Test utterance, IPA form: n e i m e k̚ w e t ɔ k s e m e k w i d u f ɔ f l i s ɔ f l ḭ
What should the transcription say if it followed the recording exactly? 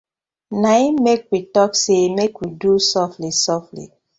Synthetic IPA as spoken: n a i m e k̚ w i t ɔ k s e m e k w i d u s ɔ f l i s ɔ f l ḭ